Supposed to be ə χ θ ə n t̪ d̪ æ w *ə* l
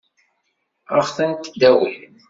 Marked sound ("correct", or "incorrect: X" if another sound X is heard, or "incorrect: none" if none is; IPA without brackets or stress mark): correct